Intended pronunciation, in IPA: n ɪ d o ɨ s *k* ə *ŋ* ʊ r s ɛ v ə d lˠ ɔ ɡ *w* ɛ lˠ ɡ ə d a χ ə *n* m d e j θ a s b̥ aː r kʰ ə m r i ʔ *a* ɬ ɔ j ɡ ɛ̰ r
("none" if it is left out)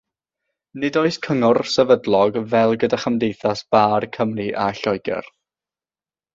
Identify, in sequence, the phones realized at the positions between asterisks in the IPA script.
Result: kʰ, ŋ, v, none, a

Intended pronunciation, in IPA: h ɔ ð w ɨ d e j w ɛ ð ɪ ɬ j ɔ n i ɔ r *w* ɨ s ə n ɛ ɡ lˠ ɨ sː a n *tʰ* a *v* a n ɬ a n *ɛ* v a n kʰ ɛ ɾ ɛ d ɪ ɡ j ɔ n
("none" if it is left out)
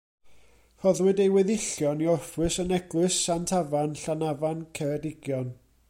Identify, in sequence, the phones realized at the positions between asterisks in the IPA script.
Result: w, tʰ, v, a

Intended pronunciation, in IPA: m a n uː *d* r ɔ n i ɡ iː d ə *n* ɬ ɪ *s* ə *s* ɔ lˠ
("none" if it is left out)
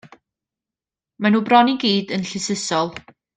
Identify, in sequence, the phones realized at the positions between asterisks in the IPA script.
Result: b, n, s, s

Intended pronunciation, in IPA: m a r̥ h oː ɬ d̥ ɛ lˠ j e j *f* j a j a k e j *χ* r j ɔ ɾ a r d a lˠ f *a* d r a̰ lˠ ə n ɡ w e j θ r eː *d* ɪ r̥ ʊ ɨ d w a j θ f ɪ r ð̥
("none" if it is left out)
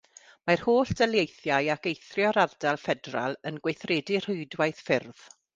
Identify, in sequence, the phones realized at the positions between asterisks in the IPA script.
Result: θ, θ, ɛ, d

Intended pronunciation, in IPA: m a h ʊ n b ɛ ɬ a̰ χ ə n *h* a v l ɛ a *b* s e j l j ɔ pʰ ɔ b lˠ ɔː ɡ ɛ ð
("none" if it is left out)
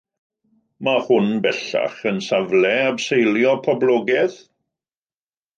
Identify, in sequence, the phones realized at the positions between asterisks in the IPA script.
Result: s, b

